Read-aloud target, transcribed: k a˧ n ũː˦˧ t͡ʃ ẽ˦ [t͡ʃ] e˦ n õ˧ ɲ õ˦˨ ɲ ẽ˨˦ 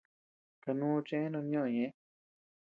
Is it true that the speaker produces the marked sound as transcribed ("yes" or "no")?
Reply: no